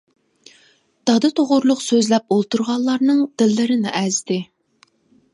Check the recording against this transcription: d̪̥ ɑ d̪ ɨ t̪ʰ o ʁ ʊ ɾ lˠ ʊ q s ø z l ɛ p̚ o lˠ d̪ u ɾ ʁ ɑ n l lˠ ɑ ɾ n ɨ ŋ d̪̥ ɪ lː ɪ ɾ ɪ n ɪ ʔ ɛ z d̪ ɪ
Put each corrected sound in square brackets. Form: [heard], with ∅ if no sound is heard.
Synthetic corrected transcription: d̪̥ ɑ d̪ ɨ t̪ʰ o ʁ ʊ ɾ lˠ ʊ q s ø z l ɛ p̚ o lˠ [t̪] u ɾ ʁ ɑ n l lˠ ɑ ɾ n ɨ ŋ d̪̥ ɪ lː ɪ ɾ ɪ n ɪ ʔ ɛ z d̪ ɪ